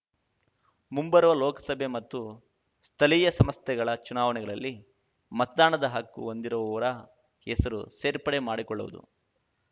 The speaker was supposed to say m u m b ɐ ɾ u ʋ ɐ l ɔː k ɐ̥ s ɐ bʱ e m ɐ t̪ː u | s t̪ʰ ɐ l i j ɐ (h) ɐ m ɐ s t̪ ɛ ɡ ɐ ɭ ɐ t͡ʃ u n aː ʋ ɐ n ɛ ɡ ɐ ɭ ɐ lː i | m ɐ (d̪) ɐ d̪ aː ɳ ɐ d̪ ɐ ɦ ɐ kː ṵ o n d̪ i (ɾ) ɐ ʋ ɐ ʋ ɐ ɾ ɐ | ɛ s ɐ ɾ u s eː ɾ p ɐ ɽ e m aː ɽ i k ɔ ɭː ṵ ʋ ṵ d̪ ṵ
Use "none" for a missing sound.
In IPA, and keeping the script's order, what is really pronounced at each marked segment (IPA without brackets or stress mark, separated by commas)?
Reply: s, t̪, ɾ